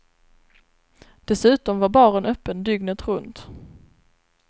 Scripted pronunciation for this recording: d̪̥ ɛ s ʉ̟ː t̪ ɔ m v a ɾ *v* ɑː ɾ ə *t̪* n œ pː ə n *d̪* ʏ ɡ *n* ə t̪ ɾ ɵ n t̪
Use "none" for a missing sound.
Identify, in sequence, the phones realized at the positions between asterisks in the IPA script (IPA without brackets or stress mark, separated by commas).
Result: b, none, d̪, n